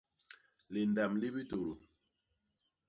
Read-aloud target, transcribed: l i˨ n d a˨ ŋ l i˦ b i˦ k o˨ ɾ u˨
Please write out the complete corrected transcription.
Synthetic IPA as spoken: l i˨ n d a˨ m l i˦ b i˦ t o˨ ɾ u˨